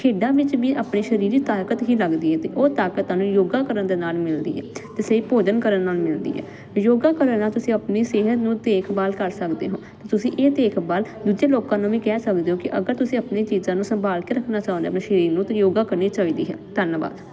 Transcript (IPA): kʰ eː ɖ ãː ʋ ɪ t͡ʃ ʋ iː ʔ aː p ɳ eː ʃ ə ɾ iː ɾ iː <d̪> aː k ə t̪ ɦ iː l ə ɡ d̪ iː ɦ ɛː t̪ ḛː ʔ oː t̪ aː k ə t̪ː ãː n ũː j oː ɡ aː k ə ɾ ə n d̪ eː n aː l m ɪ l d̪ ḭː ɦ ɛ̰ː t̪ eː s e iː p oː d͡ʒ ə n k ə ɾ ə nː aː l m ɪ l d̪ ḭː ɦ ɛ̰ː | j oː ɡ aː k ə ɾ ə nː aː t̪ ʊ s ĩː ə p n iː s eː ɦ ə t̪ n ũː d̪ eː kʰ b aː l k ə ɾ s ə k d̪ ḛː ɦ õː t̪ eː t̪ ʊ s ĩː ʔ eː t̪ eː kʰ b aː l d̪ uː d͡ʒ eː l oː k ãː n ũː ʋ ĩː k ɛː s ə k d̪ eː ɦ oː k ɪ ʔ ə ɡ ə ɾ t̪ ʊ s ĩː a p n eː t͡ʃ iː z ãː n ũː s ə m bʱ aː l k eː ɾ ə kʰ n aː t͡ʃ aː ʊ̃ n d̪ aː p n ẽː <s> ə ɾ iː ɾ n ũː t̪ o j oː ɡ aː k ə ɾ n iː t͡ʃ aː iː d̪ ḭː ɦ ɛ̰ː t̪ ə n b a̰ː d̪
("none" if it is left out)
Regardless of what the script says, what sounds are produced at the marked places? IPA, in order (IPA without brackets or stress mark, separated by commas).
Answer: t̪, ʃ